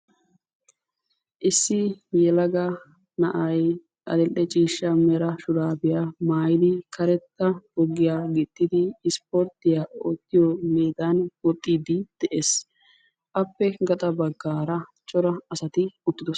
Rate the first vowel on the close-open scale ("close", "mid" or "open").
close